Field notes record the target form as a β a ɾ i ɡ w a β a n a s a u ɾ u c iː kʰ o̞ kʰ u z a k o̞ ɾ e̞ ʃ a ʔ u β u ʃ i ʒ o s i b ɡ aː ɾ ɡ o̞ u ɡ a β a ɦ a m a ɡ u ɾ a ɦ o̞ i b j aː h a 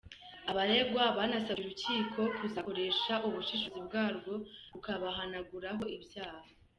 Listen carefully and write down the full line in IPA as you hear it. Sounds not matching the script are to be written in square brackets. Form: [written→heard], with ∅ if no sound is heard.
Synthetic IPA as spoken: a β a ɾ [i→e] ɡ w a β a n a s a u ɾ u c iː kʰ o̞ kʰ u z a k o̞ ɾ e̞ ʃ a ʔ u β u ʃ i [ʒ→ʃ] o [s→z] i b ɡ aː ɾ ɡ o̞ u [ɡ→k] a β a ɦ a [m→n] a ɡ u ɾ a ɦ o̞ i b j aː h a